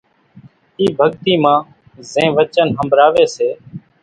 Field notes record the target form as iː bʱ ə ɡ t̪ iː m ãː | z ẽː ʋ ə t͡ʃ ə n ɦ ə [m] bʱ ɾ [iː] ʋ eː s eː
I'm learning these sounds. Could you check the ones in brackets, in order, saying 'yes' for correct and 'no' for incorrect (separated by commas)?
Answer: yes, no